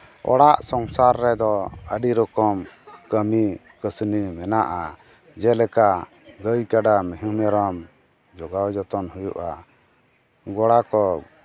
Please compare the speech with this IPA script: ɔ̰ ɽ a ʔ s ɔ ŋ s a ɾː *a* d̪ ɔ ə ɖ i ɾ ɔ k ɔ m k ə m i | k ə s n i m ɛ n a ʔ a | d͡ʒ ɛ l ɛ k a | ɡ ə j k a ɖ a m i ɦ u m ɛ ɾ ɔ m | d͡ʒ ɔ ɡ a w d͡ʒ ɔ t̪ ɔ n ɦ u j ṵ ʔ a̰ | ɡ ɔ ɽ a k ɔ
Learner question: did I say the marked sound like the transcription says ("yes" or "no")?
no